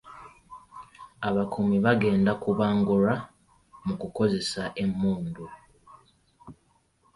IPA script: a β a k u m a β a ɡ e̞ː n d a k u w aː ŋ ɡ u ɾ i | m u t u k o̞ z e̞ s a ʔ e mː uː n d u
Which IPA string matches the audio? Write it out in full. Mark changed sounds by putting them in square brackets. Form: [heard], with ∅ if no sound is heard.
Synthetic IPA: a β a k u m [i] β a ɡ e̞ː n d a k u [β] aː ŋ ɡ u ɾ [a] | m u [k] u k o̞ z e̞ s a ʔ e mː uː n d u